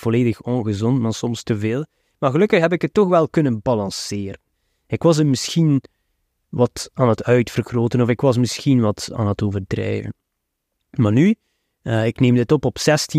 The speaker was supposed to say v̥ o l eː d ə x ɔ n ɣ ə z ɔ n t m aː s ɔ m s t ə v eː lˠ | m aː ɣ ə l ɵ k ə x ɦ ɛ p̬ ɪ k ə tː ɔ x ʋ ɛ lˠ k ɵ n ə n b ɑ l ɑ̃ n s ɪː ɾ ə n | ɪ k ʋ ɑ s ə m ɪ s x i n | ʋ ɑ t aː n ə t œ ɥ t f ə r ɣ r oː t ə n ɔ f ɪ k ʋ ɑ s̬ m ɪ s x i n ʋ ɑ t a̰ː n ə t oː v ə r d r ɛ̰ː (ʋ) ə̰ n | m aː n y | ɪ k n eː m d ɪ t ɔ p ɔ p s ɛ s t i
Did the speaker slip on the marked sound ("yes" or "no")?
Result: yes